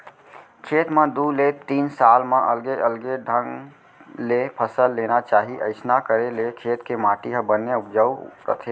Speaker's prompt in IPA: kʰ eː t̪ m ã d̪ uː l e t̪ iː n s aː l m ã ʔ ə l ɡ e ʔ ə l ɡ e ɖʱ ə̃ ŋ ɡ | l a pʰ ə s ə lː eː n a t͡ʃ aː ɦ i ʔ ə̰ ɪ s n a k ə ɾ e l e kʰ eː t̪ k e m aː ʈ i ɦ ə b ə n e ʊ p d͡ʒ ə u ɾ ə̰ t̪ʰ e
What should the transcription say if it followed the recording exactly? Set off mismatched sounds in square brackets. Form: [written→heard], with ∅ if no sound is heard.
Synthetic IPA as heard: kʰ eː t̪ m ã d̪ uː l e t̪ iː n s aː l m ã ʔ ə l ɡ e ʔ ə l ɡ e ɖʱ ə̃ ŋ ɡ | l [a→e] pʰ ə s ə lː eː n a t͡ʃ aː ɦ i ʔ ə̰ ɪ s n a k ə ɾ e l e kʰ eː t̪ k e m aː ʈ i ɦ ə b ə n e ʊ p d͡ʒ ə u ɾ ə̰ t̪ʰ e